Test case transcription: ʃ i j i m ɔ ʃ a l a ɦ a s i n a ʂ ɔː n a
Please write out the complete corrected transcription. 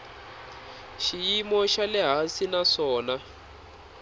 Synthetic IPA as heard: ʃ i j i m ɔ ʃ a l ɛ ɦ a s i n a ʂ ɔː n a